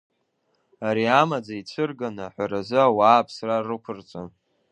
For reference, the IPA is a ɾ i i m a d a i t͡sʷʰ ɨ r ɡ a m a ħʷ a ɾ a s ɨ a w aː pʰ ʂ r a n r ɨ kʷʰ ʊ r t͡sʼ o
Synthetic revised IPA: a ɾ i a m a d͡z a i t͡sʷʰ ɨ r ɡ a n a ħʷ a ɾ a z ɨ a w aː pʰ s r a r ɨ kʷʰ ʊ r t͡sʼ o

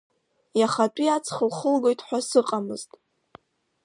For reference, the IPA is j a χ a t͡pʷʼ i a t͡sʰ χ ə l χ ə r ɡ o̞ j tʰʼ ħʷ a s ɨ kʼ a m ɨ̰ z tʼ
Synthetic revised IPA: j a χ a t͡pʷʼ i a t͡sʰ χ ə l χ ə l ɡ o̞ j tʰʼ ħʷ a s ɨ qʼ a m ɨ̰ z tʼ

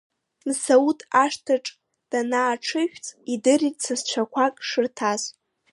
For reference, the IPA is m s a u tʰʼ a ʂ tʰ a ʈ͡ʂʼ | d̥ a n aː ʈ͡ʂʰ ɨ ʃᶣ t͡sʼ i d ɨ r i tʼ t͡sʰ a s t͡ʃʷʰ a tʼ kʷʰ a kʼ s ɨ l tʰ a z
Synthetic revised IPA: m s a u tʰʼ a ʂ tʰ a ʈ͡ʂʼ | d̥ a n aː ʈ͡ʂʰ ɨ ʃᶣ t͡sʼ i d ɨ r i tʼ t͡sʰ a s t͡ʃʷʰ a kʷʰ a kʼ ʂ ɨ r tʰ a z

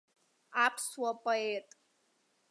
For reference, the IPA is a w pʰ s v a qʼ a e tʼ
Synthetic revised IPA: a pʰ s w a pʼ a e tʼ

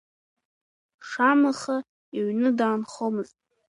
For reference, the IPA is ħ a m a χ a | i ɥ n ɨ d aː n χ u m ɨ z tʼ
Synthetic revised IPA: ʂ a m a χ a | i ɥ n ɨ d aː n χ o m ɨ z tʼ

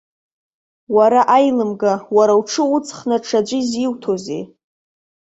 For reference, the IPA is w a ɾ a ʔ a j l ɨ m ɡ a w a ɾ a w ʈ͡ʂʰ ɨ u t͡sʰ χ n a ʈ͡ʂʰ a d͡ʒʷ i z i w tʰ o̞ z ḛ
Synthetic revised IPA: w a ɾ a ʔ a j l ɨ m ɡ a w a ɾ a w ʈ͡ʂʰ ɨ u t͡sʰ χ n a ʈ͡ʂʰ a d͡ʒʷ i z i w tʰ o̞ z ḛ

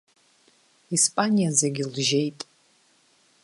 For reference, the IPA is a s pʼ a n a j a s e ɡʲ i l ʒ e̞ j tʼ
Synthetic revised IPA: i s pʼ a n i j a z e ɡʲ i l ʒ e̞ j tʼ

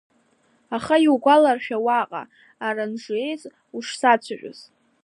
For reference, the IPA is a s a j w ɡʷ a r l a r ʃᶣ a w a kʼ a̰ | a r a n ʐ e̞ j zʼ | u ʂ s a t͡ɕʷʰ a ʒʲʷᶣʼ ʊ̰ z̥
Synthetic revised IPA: a χ a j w ɡʷ a l a r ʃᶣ a w a qʼ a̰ | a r a n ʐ e̞ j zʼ | u ʂ s a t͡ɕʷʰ a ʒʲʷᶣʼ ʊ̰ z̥

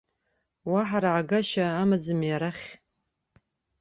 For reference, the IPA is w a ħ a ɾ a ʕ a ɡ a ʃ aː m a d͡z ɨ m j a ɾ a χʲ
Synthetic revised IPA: w a ħ a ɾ a ʕ a ɡ a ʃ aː m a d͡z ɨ m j a ɾ a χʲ

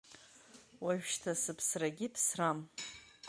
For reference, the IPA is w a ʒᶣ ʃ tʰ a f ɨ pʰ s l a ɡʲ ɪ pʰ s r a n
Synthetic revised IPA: w a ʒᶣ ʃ tʰ a s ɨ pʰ s r a ɡʲ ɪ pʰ s r a m

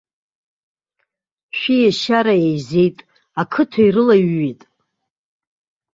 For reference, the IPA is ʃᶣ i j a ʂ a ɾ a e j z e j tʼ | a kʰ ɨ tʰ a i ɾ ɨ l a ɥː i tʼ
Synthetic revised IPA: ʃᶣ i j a ʃ a ɾ a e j z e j tʼ | a kʰ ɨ tʰ a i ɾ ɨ l a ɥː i tʼ

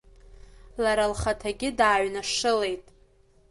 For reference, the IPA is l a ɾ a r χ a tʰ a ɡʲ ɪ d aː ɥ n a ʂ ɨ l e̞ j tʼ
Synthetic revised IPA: l a ɾ a l χ a tʰ a ɡʲ ɪ d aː ɥ n a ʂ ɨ l e̞ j tʼ

